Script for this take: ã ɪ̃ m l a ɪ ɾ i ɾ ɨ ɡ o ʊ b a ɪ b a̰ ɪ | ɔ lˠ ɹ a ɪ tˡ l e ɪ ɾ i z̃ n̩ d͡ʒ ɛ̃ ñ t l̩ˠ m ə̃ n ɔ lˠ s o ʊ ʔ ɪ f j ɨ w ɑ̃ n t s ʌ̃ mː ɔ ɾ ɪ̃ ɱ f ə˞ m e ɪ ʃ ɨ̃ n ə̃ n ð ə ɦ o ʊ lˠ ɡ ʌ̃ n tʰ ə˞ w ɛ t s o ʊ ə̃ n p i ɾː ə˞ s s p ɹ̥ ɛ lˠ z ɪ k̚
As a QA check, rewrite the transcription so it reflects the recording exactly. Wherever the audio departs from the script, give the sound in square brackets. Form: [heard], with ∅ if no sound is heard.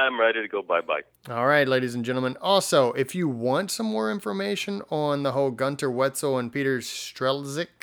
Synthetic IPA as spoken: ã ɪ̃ m [ɹ] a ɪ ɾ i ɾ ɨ ɡ o ʊ b a ɪ b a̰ ɪ | ɔ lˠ ɹ a ɪ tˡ l e ɪ ɾ i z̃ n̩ d͡ʒ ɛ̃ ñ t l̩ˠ m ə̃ n ɔ lˠ s o ʊ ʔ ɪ f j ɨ w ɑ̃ n t s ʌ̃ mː ɔ [ɹ] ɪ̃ ɱ f ə˞ m e ɪ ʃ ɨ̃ n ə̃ n ð ə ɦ o ʊ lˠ ɡ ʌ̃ n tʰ ə˞ w ɛ t s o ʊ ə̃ n p i [ɾ] ə˞ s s [t] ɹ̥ ɛ lˠ z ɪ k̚